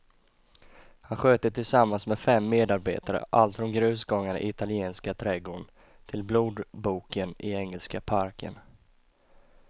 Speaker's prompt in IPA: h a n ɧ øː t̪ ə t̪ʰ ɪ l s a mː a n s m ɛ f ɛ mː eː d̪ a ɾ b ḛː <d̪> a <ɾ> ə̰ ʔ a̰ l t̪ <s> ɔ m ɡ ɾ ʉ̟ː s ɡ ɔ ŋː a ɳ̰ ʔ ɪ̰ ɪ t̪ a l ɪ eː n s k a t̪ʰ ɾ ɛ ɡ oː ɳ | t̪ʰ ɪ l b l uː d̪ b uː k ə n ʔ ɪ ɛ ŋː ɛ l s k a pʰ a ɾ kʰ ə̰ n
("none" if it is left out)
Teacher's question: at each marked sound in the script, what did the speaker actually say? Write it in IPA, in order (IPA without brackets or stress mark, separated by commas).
t̪, ɾ, f